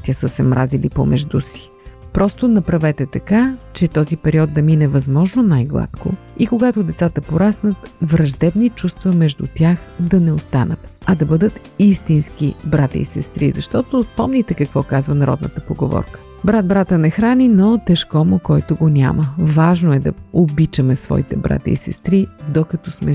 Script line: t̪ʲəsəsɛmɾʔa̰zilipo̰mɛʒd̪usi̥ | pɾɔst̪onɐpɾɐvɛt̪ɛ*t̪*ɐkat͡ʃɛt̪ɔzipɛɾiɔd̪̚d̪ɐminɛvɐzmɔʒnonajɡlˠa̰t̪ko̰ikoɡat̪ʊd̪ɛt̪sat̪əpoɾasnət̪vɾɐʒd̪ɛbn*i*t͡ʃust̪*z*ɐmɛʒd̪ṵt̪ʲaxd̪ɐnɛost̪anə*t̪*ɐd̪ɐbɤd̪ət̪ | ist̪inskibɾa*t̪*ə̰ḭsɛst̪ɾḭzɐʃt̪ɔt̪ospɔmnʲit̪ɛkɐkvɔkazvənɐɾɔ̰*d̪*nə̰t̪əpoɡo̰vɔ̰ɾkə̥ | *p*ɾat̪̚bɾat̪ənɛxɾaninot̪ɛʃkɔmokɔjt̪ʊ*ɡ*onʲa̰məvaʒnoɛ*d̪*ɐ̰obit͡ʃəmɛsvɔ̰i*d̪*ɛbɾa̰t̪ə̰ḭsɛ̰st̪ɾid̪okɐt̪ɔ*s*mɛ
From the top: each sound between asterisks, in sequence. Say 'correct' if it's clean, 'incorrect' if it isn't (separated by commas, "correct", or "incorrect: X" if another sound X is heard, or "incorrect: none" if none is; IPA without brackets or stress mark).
correct, correct, incorrect: v, correct, correct, correct, incorrect: b, correct, correct, incorrect: t̪, correct